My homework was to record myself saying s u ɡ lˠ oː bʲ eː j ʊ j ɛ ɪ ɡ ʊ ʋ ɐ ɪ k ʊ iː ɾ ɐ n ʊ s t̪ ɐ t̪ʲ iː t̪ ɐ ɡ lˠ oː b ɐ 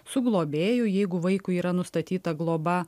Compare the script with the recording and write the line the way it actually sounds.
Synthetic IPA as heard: s ʊ ɡ lˠ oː bʲ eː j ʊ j ɛ ɪ ɡ ʊ ʋ ɐ ɪ k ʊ iː ɾ ɐ n ʊ s t̪ ɐ t̪ʲ iː t̪ ɐ ɡ lˠ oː b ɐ